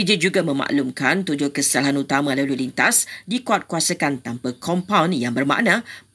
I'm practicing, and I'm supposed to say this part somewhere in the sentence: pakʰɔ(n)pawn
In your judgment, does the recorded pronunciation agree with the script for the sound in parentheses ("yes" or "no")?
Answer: no